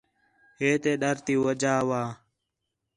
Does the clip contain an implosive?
yes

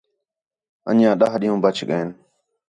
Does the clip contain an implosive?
yes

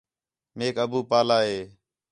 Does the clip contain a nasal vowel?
no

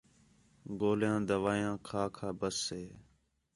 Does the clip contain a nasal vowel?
yes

